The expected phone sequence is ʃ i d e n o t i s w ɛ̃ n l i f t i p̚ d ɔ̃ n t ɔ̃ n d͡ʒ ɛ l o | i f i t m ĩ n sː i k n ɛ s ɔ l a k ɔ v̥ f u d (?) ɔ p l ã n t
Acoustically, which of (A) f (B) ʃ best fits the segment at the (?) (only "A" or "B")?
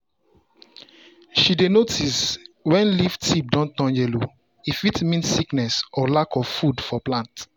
A